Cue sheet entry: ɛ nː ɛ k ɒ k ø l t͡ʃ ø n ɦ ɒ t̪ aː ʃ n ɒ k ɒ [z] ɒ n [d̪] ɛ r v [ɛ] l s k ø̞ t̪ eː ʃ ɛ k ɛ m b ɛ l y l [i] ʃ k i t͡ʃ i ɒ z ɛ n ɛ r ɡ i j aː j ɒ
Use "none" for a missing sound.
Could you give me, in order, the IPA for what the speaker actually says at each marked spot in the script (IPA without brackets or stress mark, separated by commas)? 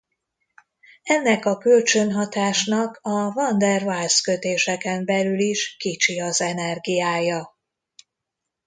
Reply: v, d̪, a, i